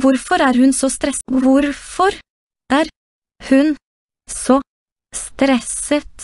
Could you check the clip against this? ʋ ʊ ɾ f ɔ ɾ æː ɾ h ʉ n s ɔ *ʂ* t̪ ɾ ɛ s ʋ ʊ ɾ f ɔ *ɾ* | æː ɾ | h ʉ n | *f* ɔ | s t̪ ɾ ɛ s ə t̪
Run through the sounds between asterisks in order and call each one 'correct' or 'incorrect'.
incorrect: s, correct, incorrect: s

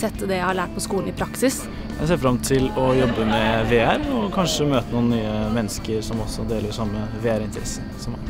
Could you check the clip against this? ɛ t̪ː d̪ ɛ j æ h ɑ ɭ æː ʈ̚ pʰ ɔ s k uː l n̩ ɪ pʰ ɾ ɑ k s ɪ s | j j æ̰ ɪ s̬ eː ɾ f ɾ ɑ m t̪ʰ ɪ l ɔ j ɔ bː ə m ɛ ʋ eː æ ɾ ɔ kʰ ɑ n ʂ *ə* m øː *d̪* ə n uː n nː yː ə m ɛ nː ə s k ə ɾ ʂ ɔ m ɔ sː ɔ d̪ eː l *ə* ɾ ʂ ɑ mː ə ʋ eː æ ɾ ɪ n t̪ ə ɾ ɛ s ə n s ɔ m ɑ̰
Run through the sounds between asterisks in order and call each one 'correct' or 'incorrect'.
correct, incorrect: t̪, correct

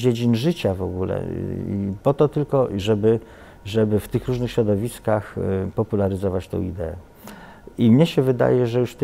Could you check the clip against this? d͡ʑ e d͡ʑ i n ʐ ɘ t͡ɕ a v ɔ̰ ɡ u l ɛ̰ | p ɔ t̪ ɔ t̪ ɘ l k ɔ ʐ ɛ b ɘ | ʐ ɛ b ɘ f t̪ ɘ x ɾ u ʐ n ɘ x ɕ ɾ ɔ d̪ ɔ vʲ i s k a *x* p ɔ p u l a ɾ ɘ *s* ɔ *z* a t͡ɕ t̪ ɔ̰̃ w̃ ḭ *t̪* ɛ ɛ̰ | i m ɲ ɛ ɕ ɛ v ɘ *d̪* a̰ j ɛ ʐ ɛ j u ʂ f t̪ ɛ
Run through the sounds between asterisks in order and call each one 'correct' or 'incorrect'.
correct, incorrect: z, incorrect: v, incorrect: d̪, correct

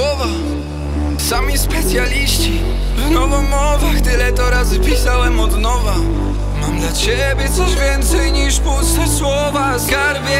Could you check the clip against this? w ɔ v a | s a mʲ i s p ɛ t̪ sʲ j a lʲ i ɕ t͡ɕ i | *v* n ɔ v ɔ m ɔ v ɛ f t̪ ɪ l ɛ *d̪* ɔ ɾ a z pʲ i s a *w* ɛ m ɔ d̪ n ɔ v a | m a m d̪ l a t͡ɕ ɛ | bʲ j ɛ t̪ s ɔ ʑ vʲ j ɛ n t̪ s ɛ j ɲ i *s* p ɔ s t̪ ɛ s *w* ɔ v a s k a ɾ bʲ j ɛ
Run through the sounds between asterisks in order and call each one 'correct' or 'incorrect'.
correct, incorrect: t̪, correct, incorrect: ʂ, correct

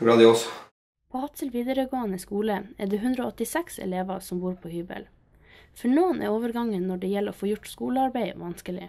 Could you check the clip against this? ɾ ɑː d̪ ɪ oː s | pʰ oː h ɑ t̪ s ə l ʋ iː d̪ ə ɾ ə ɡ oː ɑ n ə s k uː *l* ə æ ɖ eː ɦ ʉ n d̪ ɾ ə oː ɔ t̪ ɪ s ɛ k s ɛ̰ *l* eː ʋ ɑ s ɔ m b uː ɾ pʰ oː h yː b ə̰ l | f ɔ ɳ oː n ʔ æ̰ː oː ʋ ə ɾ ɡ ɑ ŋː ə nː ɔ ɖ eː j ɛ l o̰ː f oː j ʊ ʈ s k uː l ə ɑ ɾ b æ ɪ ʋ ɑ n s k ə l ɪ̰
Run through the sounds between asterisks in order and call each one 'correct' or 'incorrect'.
correct, correct

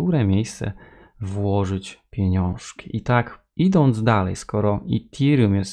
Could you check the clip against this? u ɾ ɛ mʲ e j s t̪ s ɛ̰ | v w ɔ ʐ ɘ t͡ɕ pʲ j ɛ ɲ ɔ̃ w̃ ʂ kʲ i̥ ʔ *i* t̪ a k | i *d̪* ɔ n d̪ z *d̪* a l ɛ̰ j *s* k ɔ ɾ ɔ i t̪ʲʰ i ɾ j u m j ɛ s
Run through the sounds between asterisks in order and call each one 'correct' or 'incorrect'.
correct, correct, correct, correct

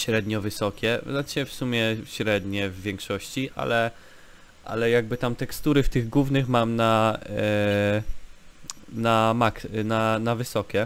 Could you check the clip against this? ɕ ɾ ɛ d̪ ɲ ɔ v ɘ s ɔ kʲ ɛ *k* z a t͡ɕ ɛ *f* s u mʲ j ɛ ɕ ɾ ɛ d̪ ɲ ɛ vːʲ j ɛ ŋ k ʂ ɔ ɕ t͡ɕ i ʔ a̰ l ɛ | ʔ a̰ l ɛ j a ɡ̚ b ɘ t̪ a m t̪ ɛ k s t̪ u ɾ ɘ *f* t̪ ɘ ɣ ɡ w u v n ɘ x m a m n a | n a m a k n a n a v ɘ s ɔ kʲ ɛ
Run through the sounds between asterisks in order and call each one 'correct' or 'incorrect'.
incorrect: none, correct, correct

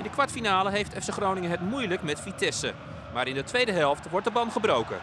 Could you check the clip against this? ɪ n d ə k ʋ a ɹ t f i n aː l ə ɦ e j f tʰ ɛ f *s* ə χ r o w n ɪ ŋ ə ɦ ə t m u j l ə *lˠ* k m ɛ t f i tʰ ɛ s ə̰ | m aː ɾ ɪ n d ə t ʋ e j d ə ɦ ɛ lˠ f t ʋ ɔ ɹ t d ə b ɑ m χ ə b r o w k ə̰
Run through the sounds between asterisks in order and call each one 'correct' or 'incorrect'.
correct, incorrect: none

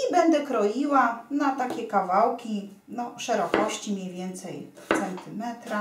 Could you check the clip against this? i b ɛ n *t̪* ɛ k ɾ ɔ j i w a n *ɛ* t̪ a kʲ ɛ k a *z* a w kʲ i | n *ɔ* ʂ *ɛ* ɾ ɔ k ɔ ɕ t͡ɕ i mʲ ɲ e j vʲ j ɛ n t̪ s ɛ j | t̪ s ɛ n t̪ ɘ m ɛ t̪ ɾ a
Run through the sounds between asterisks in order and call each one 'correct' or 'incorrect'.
incorrect: d̪, incorrect: a, incorrect: v, correct, correct

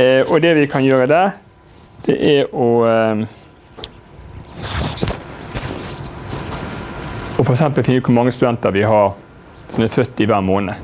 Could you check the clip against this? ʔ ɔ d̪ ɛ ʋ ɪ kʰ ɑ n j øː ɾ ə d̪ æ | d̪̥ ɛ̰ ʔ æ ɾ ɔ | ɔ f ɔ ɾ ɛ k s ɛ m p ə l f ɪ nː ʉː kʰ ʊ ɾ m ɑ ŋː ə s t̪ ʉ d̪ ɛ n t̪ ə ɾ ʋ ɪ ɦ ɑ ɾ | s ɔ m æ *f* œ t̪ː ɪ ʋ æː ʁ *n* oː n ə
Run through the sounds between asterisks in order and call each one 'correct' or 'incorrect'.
correct, incorrect: m

